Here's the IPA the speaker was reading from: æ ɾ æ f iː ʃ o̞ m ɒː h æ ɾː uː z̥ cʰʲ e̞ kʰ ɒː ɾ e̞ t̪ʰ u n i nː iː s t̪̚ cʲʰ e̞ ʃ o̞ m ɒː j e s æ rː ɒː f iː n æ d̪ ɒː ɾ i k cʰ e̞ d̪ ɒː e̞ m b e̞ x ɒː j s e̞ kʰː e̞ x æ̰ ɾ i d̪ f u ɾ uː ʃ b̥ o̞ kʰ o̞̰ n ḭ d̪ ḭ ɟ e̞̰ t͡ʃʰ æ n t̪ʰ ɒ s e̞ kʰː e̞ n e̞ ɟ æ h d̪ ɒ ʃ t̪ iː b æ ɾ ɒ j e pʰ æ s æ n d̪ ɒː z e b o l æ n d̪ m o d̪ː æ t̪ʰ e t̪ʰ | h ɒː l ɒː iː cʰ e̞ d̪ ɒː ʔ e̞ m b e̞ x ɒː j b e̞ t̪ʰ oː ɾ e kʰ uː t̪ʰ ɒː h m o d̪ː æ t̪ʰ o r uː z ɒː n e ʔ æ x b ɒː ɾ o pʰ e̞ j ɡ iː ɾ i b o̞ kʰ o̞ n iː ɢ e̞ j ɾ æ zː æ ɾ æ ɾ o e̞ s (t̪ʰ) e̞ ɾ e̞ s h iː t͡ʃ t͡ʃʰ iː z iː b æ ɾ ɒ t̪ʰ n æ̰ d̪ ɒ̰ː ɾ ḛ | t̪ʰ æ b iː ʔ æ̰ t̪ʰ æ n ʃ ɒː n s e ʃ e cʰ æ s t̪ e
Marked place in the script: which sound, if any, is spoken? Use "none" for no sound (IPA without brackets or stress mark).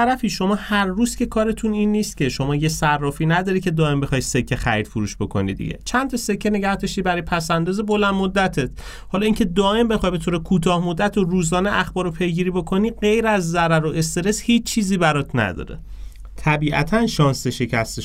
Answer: t̪